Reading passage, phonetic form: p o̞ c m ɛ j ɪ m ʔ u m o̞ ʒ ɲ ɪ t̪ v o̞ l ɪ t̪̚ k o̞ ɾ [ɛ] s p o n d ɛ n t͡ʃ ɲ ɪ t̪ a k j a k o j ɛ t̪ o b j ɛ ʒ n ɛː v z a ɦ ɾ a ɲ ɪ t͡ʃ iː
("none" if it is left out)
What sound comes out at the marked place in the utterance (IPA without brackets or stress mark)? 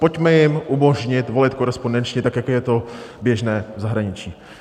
ɛ